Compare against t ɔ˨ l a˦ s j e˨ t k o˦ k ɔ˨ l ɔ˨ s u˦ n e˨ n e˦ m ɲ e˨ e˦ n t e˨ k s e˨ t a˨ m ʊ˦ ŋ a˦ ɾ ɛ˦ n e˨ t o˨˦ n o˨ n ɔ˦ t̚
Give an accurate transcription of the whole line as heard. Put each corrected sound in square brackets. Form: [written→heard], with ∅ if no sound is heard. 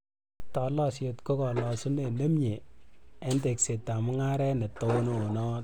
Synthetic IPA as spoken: t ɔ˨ l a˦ s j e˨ t k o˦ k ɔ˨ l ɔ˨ s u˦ n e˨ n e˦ m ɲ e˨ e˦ n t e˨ k s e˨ t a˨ m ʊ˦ ŋ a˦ ɾ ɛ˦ n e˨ t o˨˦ n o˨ n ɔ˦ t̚

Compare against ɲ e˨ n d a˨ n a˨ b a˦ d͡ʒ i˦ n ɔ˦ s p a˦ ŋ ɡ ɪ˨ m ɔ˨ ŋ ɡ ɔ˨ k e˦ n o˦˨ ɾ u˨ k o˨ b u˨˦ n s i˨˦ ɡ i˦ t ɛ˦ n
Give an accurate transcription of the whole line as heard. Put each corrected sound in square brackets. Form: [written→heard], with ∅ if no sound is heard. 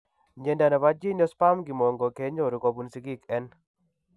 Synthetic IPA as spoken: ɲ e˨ n d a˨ n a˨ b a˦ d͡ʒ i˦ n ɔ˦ s p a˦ [ŋ→m] ɡ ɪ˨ m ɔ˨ ŋ ɡ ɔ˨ k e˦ [n→ɲ] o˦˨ ɾ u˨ k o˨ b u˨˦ n s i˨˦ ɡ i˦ [t→k] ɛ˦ n

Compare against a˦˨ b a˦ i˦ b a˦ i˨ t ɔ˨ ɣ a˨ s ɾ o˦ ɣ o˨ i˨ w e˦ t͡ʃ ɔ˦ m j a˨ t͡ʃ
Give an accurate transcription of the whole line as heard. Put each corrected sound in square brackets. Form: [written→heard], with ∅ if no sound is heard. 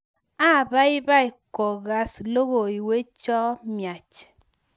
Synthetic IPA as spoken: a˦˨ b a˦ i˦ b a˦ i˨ [t→k] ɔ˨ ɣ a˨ s [ɾ→l] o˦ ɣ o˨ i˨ w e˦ t͡ʃ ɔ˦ m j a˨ t͡ʃ

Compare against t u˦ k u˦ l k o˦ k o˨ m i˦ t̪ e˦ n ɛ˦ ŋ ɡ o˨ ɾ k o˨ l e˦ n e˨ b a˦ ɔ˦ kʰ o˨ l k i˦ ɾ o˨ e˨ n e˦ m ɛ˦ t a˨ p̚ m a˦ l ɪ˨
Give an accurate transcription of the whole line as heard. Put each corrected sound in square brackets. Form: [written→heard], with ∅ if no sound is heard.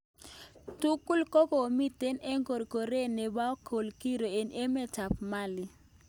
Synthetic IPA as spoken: t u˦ k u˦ l k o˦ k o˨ m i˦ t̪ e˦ n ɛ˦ ŋ ɡ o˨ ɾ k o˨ [l→ɾ] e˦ n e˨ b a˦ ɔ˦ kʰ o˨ l k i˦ ɾ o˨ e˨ n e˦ m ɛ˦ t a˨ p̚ m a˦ l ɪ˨

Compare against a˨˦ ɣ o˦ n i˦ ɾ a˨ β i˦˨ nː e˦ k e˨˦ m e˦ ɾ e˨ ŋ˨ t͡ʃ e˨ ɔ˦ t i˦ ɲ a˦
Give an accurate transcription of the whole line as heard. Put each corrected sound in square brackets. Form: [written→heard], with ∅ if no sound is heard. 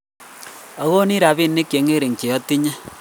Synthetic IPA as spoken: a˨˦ ɣ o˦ n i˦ ɾ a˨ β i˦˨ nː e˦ k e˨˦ [m→ŋ] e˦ ɾ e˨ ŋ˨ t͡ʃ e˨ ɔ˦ t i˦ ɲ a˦

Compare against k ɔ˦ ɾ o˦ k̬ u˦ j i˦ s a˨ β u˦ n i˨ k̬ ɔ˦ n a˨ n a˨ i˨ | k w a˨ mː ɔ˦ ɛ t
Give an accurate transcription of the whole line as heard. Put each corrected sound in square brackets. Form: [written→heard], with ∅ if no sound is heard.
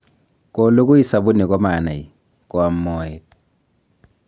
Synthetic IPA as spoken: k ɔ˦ [ɾ→l] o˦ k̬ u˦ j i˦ s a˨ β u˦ n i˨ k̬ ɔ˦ [n→m] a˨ n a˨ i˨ | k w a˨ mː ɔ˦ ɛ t

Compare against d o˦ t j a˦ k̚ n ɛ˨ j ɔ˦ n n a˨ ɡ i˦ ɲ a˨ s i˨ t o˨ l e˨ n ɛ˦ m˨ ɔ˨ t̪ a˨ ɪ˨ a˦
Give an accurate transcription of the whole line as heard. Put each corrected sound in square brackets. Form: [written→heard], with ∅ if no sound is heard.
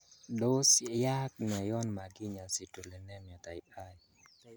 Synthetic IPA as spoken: d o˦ [t→s] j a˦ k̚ n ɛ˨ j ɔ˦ n [n→m] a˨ ɡ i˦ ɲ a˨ s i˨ t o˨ l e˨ n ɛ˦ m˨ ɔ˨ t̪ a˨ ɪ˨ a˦

